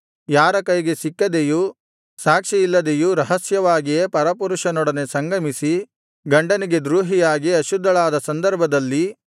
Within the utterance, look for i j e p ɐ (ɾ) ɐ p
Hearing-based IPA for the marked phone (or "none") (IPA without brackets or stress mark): ɾ